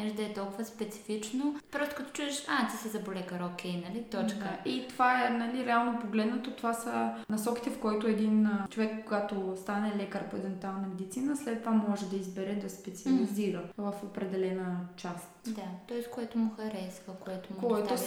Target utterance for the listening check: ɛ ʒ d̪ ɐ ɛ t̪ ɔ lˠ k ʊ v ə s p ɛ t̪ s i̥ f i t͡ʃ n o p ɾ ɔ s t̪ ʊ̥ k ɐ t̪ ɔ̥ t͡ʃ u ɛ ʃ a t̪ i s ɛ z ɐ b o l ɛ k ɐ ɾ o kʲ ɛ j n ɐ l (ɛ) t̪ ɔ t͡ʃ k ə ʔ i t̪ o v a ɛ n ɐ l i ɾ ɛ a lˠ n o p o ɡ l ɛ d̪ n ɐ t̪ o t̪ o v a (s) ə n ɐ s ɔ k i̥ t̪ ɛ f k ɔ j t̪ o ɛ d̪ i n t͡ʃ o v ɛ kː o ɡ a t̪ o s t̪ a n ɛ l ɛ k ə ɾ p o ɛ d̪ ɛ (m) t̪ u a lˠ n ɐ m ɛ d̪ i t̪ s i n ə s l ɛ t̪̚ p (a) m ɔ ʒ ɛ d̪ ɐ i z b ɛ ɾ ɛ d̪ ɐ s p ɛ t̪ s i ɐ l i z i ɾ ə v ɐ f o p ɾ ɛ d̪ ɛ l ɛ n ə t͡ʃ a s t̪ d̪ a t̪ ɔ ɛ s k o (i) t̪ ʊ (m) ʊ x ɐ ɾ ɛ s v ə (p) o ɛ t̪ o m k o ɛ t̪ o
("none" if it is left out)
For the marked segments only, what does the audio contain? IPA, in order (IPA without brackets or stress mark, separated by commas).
i, s, n, a, ɛ, m, k